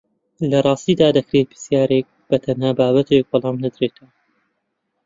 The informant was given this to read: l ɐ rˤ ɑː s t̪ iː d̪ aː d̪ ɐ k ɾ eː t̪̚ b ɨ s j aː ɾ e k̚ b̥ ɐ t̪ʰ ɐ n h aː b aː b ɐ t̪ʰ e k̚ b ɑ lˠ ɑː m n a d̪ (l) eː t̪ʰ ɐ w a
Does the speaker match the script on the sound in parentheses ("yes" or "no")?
no